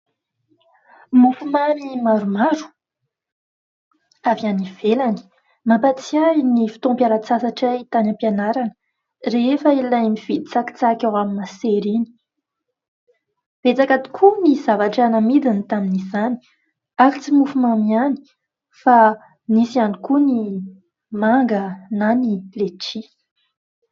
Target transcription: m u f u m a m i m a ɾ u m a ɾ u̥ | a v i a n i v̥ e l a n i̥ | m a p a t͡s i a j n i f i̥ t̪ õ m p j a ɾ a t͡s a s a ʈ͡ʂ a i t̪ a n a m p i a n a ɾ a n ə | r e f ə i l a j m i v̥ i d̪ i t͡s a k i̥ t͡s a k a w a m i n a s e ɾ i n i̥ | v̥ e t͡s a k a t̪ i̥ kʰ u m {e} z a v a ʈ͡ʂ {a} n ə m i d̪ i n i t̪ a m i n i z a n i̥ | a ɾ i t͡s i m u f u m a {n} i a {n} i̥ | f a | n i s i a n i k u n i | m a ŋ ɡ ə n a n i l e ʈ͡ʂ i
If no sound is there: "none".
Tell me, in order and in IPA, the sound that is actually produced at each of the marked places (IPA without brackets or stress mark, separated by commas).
i, a, m, n